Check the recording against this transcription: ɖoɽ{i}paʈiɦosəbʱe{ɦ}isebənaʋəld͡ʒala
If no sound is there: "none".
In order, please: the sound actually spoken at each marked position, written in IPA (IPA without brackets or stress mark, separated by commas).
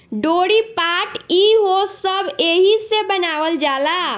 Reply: i, ɦ